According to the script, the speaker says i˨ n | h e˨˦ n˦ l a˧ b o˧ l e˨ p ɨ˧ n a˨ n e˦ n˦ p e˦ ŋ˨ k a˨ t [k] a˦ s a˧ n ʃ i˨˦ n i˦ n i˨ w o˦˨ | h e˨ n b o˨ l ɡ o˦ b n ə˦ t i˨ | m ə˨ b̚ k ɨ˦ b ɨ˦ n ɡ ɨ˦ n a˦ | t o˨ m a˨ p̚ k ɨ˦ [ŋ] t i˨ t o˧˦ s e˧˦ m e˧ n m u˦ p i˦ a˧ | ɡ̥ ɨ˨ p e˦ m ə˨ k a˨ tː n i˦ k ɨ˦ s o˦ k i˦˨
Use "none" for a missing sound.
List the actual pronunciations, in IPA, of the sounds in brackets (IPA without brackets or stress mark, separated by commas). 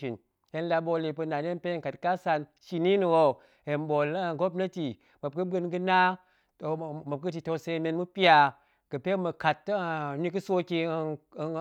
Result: k, none